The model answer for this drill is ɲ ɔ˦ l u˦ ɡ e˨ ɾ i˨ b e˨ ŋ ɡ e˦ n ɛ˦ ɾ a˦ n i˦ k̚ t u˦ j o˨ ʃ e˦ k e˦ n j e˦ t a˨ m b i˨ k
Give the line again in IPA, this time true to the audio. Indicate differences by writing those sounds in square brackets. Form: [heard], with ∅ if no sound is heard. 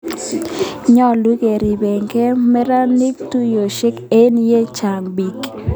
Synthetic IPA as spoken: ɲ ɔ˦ l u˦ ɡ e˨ ɾ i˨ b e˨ ŋ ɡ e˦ [m] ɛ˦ ɾ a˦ n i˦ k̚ t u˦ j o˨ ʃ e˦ k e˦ n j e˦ [t͡ʃ] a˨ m b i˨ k

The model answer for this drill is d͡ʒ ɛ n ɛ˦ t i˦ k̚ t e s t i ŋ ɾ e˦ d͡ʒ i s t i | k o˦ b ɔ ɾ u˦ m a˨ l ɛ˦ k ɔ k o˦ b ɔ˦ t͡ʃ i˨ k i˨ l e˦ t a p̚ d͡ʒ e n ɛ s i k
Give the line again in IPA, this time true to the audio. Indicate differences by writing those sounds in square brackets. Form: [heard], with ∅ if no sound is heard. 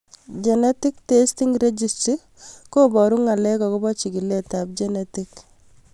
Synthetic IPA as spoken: d͡ʒ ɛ n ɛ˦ t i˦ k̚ t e s t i ŋ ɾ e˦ d͡ʒ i s t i | k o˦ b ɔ ɾ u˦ [ŋ] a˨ l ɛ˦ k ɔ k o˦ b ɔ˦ t͡ʃ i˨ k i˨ l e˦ t a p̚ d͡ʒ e n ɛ [t] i k

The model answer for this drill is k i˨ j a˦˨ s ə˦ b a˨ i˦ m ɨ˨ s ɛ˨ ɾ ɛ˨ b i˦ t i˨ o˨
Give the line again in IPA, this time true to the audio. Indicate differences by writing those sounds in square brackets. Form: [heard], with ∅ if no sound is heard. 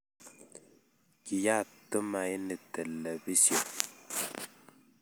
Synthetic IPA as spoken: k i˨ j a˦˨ [t] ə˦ [m] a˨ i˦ [n] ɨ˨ [t] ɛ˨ [l] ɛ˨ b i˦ [s] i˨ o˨

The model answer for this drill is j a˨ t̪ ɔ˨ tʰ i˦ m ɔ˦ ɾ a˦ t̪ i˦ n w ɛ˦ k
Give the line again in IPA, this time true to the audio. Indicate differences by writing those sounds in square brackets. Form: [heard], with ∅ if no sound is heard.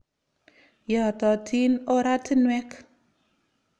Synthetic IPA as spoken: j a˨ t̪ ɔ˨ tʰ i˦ [n] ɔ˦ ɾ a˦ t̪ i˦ n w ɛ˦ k

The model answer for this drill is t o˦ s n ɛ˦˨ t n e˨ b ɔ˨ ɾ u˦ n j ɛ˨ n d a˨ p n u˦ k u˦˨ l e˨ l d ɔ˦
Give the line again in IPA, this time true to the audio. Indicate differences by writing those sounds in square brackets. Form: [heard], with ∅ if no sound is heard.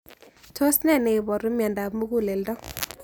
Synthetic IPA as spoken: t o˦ s n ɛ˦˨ [∅] n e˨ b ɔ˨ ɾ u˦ [m] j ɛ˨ n d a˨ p [m] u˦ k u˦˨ l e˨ l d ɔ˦

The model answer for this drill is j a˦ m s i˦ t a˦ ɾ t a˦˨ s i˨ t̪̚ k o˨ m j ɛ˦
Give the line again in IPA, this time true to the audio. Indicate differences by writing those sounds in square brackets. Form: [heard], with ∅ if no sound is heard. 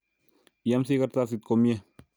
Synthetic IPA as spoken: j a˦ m s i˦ [k] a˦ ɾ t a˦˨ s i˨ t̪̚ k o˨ m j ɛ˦

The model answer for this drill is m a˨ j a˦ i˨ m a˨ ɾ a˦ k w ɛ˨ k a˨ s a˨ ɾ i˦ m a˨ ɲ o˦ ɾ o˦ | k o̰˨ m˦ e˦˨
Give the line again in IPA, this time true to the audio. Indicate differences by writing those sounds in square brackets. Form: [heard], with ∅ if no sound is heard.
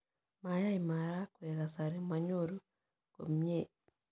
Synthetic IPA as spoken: m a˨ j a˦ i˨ m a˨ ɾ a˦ k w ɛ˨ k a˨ s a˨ ɾ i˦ m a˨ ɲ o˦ ɾ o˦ | k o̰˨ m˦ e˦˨

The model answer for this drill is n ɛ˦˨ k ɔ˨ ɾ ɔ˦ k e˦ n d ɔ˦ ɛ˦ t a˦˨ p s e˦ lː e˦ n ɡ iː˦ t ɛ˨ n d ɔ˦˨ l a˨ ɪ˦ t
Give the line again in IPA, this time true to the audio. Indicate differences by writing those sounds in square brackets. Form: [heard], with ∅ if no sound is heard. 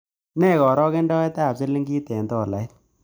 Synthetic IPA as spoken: n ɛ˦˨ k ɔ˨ ɾ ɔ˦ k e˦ n d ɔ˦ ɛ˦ t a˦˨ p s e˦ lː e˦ [ŋ] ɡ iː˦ t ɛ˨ n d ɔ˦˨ l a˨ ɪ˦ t

